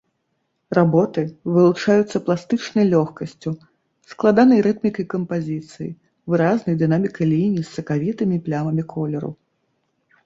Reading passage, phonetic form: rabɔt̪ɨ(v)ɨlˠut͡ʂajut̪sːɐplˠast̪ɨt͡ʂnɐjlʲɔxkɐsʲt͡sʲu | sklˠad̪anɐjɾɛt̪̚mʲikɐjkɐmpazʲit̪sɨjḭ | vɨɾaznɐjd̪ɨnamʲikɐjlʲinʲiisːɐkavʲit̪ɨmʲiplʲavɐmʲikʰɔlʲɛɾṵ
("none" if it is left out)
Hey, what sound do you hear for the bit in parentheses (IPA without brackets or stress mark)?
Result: v